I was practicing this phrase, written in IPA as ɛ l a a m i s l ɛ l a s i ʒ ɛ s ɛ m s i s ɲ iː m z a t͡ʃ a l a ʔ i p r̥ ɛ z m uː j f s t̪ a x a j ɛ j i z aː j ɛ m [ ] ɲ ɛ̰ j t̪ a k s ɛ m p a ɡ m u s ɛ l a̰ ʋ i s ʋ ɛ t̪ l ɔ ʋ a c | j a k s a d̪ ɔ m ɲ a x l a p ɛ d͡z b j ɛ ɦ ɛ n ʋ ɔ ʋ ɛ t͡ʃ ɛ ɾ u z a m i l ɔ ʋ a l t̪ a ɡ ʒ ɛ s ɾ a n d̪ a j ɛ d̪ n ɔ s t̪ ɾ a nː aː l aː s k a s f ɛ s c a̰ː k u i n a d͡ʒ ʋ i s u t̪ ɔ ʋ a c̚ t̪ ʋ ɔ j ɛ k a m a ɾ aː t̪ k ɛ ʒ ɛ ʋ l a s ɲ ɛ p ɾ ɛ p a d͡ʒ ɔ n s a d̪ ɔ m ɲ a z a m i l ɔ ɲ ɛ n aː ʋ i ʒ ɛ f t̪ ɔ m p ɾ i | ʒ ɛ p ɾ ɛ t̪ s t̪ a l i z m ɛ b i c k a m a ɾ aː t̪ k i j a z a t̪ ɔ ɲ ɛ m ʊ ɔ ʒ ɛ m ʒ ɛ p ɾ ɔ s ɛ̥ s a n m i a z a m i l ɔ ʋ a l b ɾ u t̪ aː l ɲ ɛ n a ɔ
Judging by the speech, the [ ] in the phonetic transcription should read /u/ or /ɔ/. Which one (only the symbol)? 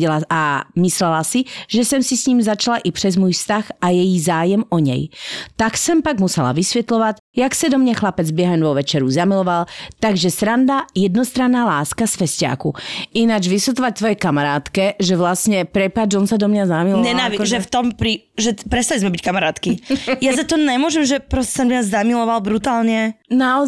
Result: ɔ